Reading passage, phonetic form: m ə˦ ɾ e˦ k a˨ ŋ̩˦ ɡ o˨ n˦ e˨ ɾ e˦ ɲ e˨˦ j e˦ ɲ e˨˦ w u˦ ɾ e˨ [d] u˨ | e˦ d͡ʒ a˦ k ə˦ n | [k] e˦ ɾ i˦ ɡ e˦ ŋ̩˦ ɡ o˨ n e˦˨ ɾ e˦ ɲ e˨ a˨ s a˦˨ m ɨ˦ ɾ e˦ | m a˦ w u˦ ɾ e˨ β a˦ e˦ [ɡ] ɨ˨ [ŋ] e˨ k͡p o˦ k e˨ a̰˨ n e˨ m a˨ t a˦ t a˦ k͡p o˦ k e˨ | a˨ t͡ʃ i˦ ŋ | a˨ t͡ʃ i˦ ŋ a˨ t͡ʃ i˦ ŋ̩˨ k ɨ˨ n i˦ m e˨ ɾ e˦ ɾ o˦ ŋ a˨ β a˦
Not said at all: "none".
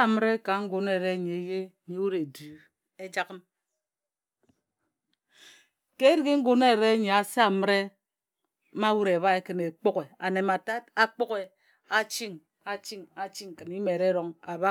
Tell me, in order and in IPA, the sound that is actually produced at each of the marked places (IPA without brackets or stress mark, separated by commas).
d, k, k, n